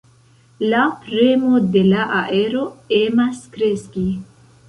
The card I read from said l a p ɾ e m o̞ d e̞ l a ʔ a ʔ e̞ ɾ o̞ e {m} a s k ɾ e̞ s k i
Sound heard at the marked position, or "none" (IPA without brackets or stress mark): m